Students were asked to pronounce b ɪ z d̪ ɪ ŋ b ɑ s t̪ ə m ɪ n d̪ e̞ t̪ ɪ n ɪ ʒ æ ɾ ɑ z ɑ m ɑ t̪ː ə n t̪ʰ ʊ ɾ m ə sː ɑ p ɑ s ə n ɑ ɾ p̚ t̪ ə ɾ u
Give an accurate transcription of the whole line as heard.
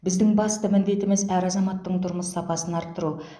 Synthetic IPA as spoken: b ɪ z d̪ ɪ ŋ b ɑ s t̪ ə m ɪ n d̪ e̞ t̪ ɪ m ɪ z æ ɾ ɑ z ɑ m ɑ t̪ː ə ɴ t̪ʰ ʊ ɾ m ə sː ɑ p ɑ s ə n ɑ ɾ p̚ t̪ ə ɾ u